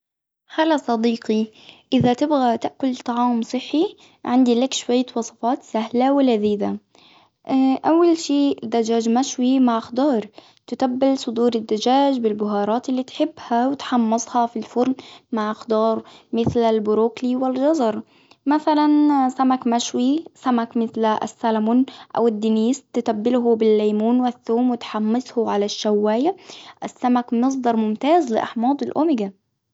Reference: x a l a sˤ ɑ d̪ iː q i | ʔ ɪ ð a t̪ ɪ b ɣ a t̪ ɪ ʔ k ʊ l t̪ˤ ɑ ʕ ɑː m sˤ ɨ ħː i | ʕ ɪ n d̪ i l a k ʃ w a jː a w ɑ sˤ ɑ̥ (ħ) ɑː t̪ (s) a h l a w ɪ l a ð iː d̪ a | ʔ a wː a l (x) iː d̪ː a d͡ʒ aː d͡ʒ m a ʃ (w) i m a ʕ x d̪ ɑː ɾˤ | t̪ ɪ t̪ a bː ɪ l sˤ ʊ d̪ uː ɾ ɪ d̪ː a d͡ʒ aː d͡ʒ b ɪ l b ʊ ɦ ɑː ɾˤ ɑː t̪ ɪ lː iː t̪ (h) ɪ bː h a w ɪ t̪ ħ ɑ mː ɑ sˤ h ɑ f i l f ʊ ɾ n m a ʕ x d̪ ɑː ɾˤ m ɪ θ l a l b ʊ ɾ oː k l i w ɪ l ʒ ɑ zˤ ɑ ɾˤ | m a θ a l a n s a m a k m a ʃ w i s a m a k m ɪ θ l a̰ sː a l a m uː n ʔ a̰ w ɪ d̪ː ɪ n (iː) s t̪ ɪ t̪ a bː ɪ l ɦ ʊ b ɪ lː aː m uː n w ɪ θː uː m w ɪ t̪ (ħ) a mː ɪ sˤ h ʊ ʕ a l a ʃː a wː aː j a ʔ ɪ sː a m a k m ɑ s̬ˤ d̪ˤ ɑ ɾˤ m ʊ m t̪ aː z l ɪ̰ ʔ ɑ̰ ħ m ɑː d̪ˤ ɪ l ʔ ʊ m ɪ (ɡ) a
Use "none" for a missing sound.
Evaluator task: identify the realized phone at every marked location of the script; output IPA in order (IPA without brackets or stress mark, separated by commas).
f, s, ʃ, w, ħ, iː, ħ, ɡ